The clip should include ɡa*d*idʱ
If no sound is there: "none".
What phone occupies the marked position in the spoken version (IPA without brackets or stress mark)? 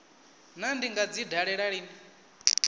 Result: d͡z